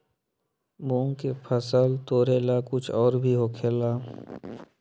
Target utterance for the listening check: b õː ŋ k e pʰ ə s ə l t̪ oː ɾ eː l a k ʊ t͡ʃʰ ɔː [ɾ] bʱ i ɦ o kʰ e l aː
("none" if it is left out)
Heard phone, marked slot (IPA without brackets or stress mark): ɾ